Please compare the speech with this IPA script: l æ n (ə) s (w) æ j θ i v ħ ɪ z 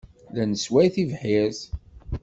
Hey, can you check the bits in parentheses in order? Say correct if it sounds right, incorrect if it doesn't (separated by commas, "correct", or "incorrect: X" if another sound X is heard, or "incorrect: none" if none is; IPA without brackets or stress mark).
correct, correct